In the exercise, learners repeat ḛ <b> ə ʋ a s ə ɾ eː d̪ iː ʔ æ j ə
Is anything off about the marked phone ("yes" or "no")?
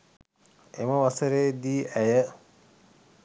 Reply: yes